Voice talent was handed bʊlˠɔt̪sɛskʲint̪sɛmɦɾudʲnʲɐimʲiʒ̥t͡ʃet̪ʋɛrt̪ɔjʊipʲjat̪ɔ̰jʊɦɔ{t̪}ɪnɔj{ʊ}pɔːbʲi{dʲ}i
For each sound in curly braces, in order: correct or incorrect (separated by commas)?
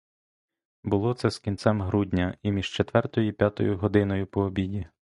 incorrect, correct, correct